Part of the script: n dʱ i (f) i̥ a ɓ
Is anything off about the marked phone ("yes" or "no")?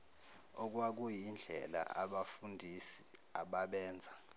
yes